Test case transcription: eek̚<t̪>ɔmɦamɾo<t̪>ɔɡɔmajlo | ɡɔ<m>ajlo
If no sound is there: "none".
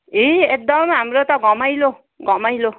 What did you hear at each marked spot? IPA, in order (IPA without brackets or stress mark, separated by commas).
d̪, t̪, m